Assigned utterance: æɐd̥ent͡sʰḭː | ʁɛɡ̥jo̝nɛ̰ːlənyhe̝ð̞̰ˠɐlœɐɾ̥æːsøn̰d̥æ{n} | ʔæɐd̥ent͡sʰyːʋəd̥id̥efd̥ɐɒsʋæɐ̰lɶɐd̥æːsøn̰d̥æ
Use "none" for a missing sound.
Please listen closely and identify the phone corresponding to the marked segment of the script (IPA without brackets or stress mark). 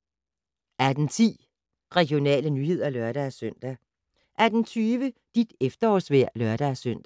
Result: none